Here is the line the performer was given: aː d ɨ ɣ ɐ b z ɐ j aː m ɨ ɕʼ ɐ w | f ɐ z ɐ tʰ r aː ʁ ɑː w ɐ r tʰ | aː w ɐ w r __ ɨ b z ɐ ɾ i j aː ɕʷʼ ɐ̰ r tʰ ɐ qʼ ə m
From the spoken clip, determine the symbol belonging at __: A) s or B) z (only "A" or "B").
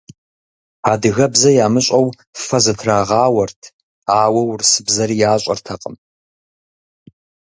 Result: A